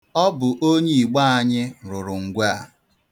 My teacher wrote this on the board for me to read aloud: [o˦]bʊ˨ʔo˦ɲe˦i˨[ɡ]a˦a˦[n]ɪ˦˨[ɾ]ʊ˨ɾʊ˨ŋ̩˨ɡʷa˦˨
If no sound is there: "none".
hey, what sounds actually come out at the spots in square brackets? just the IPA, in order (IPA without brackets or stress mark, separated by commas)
ɔ˦, ɡ͡b, ɲ, ɾ